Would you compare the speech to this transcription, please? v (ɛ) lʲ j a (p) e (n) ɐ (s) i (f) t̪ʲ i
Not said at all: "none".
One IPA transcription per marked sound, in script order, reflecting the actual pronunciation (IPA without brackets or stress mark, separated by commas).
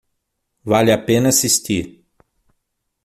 a, p, n, s, s